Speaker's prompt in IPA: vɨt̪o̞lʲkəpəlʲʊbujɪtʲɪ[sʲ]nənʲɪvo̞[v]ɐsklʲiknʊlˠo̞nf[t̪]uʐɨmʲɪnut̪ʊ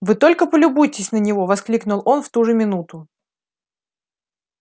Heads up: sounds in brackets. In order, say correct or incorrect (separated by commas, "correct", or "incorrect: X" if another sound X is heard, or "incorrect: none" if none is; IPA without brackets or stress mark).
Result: correct, correct, correct